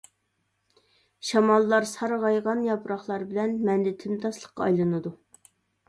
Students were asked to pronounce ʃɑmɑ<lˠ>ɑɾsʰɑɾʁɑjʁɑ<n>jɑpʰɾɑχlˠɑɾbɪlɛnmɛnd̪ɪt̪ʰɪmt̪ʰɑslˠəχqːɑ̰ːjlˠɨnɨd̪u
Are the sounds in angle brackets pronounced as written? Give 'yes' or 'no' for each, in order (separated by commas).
no, yes